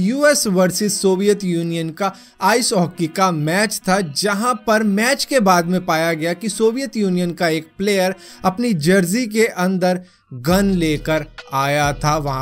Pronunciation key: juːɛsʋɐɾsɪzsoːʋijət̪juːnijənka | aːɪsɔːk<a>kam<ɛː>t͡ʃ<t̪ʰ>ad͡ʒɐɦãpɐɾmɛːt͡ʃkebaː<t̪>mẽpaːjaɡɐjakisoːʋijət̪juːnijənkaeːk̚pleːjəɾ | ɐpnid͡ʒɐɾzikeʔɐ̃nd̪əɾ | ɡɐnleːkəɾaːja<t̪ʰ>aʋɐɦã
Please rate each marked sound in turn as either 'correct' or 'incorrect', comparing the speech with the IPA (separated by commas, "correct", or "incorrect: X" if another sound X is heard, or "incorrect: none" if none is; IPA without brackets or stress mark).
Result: incorrect: i, correct, correct, incorrect: d̪, correct